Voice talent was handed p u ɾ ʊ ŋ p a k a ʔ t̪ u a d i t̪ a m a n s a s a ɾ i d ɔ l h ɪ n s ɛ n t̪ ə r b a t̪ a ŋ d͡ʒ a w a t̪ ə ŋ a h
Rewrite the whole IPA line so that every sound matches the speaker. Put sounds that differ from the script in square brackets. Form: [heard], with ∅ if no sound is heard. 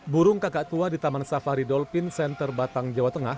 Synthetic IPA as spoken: [b] u ɾ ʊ ŋ [k] a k a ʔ t̪ u a d i t̪ a m a n s a [f] a ɾ i d ɔ l [f] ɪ n s ɛ n t̪ ə r b a t̪ a ŋ d͡ʒ a w a t̪ ə ŋ a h